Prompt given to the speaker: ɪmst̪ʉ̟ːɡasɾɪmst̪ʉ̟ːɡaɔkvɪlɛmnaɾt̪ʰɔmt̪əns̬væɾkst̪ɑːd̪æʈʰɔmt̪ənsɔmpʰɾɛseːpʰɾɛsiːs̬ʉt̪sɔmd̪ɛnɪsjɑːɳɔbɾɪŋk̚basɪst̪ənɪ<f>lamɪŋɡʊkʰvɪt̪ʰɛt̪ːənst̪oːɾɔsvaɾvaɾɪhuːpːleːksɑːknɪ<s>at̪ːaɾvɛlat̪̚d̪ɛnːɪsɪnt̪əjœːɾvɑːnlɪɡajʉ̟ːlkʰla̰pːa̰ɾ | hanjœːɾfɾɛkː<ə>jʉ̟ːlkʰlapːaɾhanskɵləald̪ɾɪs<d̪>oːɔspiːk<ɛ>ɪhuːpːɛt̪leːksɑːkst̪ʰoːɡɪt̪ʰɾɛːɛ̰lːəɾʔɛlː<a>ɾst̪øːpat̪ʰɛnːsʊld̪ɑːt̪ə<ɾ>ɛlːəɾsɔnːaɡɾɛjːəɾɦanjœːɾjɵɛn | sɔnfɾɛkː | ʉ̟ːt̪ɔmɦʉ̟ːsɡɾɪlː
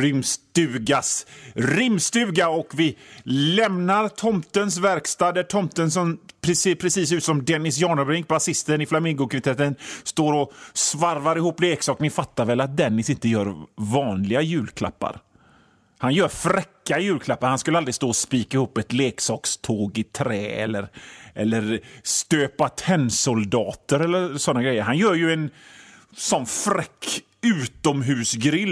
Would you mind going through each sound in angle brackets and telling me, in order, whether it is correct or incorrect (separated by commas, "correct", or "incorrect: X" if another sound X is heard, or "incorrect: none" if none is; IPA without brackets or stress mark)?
correct, incorrect: f, incorrect: a, incorrect: t̪, incorrect: a, incorrect: ə, correct